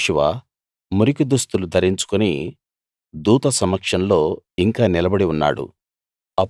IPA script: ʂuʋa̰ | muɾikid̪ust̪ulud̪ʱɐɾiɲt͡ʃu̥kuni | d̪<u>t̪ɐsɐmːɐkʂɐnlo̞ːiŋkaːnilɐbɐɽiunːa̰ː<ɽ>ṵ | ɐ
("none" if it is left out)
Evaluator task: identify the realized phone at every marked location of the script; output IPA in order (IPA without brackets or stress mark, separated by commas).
uː, ɽ